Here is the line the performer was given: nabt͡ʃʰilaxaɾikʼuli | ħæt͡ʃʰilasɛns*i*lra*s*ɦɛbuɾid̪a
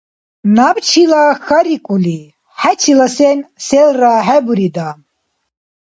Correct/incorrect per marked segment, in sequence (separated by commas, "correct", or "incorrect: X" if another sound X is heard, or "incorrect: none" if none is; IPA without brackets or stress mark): incorrect: ɛ, incorrect: none